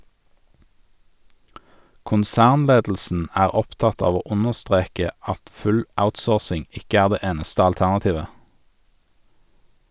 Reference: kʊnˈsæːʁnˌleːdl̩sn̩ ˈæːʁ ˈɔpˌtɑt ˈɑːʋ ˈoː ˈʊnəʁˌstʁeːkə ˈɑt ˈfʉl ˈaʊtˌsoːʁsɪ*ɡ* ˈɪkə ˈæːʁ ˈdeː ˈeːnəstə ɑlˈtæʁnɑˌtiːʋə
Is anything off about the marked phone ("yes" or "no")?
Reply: yes